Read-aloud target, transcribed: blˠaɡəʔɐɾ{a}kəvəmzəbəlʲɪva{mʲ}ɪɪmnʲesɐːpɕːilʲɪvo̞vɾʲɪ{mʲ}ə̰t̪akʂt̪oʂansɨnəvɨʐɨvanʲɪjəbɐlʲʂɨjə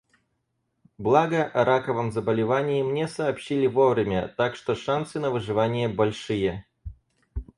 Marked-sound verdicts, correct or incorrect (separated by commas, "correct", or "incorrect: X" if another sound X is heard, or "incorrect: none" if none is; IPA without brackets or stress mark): correct, incorrect: nʲ, correct